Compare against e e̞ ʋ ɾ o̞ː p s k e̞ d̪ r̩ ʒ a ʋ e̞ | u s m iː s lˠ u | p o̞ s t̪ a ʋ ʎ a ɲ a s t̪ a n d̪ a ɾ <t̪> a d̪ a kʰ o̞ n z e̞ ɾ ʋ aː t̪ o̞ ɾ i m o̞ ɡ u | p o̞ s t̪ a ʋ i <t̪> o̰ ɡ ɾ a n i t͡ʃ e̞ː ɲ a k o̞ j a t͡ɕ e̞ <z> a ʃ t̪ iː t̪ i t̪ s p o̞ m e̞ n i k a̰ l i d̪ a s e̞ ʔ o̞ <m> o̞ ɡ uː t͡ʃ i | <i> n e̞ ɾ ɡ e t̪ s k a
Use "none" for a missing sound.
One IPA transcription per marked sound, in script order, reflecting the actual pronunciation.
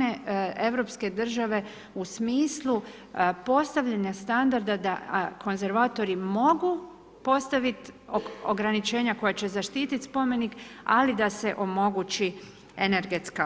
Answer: d̪, t̪, z, m, e

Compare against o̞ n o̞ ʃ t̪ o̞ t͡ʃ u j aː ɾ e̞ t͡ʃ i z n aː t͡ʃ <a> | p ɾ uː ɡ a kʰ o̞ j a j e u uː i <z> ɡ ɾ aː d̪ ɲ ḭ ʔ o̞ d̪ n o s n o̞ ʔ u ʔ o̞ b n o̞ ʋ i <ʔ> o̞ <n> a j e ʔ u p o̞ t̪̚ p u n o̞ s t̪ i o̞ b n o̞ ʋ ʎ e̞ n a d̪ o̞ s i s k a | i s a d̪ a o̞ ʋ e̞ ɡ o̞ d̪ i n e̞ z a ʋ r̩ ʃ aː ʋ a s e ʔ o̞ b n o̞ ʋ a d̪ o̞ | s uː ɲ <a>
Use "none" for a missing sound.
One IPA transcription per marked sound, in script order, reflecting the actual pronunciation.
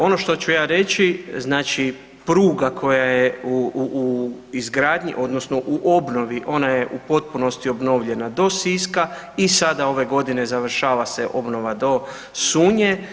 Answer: i, z, ʔ, n, e

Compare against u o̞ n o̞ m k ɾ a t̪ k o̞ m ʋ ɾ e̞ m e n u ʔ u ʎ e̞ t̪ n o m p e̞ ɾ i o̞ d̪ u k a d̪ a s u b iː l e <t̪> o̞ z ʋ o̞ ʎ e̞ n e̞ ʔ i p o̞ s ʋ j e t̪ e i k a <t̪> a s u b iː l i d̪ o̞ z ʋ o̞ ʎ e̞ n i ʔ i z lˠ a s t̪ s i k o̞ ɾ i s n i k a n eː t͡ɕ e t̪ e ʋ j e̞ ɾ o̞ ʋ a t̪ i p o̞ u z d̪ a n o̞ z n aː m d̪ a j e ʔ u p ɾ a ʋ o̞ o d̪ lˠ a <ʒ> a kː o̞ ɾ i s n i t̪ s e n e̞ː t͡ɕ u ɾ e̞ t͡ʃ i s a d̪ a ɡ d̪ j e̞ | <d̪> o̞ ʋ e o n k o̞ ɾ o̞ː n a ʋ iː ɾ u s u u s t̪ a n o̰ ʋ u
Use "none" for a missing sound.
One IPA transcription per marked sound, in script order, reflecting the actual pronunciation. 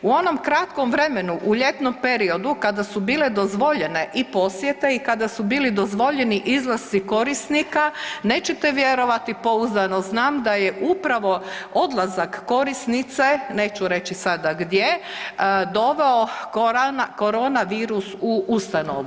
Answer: d̪, d̪, z, d̪

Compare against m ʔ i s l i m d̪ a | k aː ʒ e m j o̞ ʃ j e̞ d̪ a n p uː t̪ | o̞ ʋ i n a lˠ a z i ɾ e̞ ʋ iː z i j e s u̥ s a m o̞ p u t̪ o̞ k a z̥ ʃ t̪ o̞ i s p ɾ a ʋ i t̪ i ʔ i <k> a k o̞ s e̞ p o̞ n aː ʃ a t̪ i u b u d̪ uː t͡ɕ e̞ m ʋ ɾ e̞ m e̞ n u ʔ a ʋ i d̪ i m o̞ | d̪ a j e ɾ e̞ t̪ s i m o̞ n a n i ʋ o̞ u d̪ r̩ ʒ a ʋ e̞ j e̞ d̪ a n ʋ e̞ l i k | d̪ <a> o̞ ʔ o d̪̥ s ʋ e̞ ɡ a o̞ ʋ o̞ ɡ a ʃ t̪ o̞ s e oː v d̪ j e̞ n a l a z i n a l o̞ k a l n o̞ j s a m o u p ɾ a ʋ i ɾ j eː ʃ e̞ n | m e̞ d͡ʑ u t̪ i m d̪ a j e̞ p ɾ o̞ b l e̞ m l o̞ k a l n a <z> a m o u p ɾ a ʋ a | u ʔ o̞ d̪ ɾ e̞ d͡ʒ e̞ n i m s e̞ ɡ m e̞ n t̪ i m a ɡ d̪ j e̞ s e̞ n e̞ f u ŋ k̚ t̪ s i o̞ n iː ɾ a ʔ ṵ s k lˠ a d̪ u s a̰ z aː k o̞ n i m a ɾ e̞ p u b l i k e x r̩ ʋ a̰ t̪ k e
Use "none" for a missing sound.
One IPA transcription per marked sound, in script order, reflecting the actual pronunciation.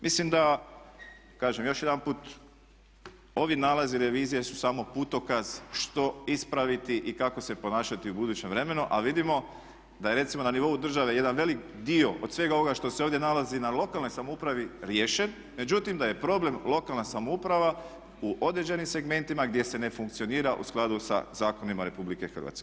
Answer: k, i, s

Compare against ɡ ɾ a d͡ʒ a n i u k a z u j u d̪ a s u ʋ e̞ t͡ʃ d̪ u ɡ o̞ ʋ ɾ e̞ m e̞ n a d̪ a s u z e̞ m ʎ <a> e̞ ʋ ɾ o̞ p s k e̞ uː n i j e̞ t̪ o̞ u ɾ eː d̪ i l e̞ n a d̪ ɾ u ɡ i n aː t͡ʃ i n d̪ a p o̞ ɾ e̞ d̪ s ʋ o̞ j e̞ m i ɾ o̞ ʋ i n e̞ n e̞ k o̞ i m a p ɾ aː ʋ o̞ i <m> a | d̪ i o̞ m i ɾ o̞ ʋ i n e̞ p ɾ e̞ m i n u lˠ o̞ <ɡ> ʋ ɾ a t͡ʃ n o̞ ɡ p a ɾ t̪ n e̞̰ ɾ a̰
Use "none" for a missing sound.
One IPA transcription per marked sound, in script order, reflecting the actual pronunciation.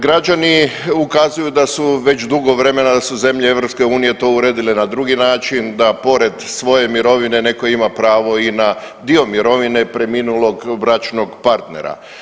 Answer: e, n, ɡ

